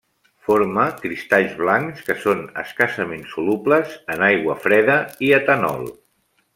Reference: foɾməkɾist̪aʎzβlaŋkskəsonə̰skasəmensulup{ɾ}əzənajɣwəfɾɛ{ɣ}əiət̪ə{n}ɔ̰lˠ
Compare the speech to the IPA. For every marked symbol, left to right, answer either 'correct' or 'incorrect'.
incorrect, incorrect, correct

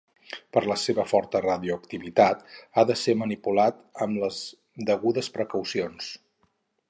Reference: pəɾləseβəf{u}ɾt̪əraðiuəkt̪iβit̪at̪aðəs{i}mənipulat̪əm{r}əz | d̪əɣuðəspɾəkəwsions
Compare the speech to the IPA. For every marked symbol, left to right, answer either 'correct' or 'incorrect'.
incorrect, incorrect, incorrect

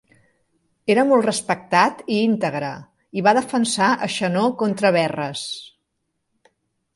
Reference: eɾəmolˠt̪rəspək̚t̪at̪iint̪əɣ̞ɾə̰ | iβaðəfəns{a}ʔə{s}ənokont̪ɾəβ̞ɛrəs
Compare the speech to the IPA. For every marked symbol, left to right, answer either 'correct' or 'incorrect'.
correct, incorrect

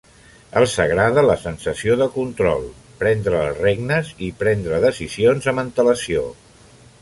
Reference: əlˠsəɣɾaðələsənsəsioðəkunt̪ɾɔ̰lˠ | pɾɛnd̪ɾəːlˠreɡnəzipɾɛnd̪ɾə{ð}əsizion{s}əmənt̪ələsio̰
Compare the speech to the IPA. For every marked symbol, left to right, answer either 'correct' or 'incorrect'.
correct, incorrect

